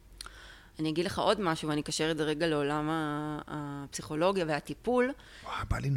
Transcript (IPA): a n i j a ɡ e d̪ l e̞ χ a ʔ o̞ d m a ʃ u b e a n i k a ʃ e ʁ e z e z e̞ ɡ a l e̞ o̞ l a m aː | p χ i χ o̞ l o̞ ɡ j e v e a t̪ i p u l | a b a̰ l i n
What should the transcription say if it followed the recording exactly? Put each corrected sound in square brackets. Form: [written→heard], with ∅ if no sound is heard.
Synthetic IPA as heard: a n i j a ɡ [e→i] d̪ l e̞ χ a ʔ o̞ d m a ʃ u [b→v] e a n i k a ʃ e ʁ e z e [z→ʁ] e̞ ɡ a l e̞ o̞ l a m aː | p [χ→s] i χ o̞ l o̞ ɡ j [e→a] v e a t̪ i p u l | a b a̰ l i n